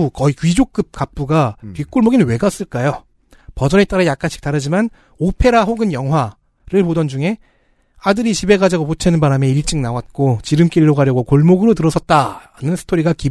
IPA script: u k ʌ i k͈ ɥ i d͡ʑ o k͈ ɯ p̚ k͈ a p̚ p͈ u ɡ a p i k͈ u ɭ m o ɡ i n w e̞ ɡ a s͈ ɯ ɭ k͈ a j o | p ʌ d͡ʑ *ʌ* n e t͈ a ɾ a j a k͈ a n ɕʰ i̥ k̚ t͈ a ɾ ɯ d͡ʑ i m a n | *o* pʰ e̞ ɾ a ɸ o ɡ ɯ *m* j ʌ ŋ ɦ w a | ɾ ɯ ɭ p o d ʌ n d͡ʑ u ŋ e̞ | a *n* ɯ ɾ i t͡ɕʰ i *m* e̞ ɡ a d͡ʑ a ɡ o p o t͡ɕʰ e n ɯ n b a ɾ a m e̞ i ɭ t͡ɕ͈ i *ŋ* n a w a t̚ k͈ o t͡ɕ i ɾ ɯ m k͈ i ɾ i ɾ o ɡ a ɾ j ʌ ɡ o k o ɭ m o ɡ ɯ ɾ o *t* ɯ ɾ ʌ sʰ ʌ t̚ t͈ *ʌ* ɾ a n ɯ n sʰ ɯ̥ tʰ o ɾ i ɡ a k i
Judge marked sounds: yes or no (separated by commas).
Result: yes, yes, no, no, no, yes, yes, no